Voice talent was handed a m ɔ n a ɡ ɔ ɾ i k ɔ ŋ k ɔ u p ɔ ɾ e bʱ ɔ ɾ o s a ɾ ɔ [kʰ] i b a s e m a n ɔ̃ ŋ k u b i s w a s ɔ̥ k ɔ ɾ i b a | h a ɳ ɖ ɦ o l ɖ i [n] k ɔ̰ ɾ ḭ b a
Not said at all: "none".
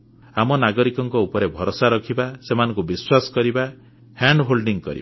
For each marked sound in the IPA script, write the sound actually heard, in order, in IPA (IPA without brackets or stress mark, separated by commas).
kʰ, ŋ